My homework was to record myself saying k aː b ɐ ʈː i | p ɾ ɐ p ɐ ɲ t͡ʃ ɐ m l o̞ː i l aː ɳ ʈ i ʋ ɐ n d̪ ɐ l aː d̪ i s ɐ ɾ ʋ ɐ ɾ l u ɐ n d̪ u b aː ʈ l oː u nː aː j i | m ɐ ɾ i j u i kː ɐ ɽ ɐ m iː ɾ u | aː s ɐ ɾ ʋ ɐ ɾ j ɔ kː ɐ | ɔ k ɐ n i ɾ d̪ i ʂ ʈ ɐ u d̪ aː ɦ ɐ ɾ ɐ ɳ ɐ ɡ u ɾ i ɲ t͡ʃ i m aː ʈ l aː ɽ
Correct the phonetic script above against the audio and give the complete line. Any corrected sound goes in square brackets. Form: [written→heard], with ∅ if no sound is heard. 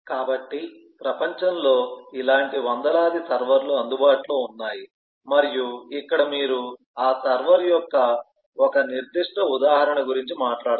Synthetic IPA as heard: k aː b ɐ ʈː i | p ɾ ɐ p ɐ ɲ t͡ʃ ɐ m l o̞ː i l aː ɳ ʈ i ʋ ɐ n d̪ ɐ l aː d̪ i s ɐ ɾ ʋ ɐ ɾ l u ɐ n d̪ u b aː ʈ l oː u nː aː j i | m ɐ ɾ i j u i kː ɐ ɽ ɐ m iː ɾ u | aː s ɐ ɾ ʋ ɐ ɾ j ɔ kː ɐ | ɔ k ɐ n i ɾ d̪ i ʂ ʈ ɐ u d̪ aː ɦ ɐ ɾ ɐ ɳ ɐ ɡ u ɾ i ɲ t͡ʃ i m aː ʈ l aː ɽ